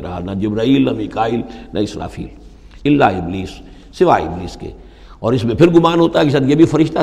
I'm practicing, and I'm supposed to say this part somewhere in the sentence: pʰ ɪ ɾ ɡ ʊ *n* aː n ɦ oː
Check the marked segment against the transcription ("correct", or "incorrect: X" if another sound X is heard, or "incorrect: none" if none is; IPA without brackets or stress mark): incorrect: m